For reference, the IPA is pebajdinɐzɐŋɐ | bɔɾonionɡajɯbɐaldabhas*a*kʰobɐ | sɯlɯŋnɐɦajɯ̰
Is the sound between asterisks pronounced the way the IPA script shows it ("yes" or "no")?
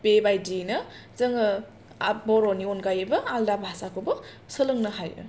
yes